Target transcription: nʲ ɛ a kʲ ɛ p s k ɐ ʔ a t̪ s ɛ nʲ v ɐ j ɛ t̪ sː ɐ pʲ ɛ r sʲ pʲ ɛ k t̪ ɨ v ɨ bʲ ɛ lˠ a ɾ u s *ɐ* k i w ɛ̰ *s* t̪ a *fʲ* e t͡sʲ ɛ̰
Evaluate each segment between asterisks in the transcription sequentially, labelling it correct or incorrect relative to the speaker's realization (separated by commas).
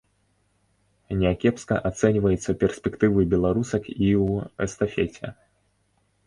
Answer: correct, correct, correct